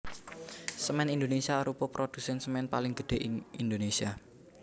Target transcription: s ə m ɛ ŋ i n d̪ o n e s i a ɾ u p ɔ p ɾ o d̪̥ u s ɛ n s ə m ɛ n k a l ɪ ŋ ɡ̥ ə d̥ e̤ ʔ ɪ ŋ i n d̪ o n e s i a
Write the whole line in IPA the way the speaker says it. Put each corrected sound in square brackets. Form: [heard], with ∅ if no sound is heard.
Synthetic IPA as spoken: s ə m ɛ [n] i n d̪ o n e s i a ɾ u p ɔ p ɾ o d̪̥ u s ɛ n s ə m ɛ n [p] a l ɪ ŋ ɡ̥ ə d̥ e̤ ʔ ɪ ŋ i n d̪ o n e s i a